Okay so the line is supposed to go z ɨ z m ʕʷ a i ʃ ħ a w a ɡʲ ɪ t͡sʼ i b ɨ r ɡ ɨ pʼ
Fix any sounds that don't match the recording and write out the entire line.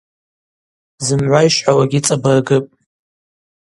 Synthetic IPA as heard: z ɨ m ʕʷ a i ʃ ħ a w a ɡʲ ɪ t͡sʼ a b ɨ r ɡ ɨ pʼ